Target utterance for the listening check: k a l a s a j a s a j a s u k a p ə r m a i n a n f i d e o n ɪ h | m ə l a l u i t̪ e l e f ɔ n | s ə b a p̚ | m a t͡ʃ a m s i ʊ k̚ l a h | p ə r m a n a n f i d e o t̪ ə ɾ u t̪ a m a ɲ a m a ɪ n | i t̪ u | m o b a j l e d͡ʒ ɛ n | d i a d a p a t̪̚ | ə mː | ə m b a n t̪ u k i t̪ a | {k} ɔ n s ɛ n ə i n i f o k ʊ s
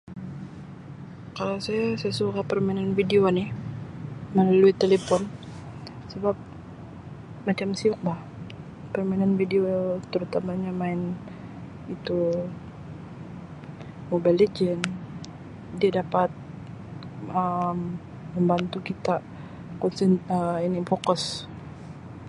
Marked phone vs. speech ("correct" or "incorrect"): correct